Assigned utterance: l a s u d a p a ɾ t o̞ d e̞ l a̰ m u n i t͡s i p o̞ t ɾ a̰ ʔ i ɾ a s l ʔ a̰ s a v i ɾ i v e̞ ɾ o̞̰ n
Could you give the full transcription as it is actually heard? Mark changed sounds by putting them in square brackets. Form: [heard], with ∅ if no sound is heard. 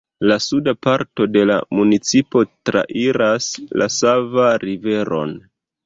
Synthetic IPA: l a s u d a p a ɾ t o̞ d e̞ l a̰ m u n i t͡s i p o̞ t ɾ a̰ ʔ i ɾ a s l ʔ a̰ s a v [a] ɾ i v e̞ ɾ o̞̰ n